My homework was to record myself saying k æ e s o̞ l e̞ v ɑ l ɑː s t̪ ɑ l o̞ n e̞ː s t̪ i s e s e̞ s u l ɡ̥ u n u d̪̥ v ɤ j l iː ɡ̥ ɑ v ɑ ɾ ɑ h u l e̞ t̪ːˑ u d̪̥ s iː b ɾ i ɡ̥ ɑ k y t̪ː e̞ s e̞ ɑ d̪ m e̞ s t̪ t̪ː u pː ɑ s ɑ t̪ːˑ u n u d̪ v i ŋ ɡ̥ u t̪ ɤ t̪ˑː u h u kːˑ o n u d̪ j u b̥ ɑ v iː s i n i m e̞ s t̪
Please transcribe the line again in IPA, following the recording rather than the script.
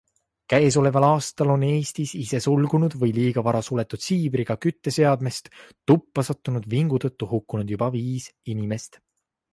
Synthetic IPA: k æ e s o̞ l e̞ v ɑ l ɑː s t̪ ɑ l o̞ n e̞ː s t̪ i s i s e̞ s u l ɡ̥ u n u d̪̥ v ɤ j l iː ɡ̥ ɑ v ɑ ɾ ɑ s u l e̞ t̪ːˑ u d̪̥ s iː b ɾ i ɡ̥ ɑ k y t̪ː e̞ s e̞ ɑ d̪ m e̞ s t̪ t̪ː u pː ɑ s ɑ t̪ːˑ u n u d̪ v i ŋ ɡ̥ u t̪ ɤ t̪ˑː u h u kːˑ u n u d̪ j u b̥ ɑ v iː s i n i m e̞ s t̪